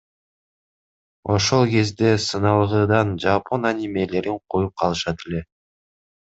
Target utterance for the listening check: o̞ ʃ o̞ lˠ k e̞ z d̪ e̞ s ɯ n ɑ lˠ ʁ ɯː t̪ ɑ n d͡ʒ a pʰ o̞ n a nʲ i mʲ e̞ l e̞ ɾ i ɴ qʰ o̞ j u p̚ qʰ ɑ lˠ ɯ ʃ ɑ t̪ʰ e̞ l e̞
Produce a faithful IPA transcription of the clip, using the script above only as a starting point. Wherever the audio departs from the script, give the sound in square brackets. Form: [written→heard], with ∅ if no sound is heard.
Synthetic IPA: o̞ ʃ o̞ lˠ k e̞ z d̪ e̞ s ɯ n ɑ lˠ ʁ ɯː [t̪→d̪] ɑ n d͡ʒ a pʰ o̞ n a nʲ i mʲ e̞ l e̞ ɾ i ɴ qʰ o̞ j u p̚ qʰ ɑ lˠ ɯ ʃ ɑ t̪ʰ e̞ l e̞